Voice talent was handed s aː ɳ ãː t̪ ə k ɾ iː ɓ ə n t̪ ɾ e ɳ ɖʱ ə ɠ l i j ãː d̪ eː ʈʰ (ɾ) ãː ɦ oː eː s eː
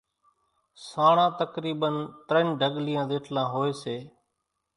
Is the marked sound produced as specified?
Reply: no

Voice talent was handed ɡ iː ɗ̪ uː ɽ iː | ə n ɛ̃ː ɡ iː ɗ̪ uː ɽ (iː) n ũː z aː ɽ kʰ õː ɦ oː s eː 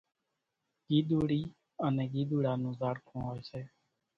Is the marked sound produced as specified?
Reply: no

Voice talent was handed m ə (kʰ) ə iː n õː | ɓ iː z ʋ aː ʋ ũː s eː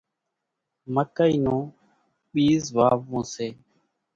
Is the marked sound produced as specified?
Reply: no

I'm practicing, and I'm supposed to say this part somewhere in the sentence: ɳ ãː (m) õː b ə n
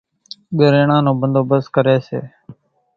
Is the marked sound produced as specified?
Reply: no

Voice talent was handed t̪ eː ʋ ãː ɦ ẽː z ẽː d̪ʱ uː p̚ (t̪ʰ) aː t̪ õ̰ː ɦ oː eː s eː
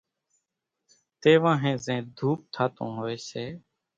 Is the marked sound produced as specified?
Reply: yes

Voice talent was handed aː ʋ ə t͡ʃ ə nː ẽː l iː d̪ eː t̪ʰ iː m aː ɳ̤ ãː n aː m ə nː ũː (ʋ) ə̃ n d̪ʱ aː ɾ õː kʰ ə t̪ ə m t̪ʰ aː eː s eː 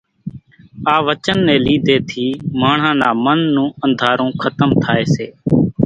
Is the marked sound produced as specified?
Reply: no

